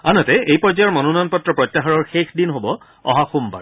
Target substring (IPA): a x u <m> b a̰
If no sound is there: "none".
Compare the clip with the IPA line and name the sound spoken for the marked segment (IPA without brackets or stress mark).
m